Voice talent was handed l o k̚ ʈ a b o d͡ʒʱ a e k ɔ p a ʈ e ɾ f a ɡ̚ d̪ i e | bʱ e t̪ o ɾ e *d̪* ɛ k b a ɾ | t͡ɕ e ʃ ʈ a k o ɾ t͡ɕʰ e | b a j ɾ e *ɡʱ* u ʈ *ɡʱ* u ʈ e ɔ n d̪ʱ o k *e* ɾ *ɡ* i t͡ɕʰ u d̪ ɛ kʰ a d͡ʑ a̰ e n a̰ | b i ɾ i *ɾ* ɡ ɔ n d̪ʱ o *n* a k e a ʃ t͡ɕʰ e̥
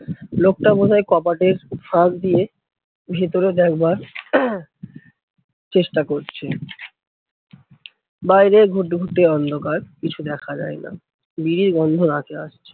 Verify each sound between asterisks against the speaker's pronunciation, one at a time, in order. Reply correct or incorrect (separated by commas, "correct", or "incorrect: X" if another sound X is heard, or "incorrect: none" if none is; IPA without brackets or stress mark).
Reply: correct, correct, correct, incorrect: a, incorrect: k, correct, correct